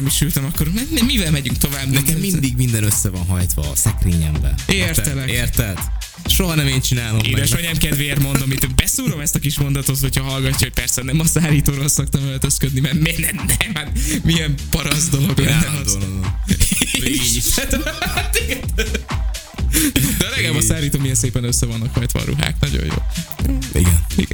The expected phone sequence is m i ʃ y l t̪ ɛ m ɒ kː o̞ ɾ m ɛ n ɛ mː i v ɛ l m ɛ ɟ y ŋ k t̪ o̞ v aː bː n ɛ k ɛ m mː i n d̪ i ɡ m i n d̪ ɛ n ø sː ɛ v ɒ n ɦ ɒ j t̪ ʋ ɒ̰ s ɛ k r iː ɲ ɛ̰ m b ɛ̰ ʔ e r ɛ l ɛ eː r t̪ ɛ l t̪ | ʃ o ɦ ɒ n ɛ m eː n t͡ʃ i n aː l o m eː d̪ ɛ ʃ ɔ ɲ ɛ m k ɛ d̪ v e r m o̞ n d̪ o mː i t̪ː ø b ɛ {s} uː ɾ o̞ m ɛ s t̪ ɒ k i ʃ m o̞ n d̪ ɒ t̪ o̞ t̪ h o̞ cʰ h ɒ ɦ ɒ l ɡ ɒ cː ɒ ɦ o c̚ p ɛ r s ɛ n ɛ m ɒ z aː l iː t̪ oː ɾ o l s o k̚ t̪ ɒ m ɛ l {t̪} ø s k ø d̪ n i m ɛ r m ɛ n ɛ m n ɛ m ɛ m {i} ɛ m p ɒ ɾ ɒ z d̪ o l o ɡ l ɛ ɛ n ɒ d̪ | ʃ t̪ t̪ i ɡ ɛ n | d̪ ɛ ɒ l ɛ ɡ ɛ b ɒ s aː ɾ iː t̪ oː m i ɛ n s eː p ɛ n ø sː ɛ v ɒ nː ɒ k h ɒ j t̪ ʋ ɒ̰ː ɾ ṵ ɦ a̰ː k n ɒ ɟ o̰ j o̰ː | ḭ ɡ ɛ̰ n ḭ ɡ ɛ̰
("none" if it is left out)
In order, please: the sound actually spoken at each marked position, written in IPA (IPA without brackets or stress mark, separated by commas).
s, t̪, i